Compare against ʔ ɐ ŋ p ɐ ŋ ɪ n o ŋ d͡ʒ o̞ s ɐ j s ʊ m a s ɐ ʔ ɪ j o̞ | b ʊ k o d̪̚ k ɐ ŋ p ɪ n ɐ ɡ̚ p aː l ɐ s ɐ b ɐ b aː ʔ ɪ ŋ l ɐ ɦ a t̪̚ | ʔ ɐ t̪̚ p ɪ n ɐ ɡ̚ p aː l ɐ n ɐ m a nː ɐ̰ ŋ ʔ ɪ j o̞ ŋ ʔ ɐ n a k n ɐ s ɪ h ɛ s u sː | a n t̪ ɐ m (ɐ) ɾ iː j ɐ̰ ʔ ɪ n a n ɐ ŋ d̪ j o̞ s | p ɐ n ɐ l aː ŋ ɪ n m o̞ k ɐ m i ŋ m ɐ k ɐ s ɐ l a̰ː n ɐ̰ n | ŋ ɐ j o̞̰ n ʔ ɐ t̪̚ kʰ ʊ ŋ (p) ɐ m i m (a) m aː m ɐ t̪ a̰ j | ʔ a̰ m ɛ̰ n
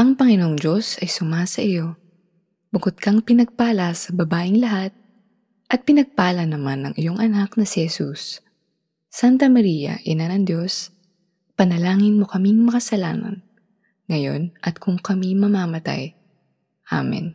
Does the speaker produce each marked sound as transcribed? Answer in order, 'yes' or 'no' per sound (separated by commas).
yes, no, no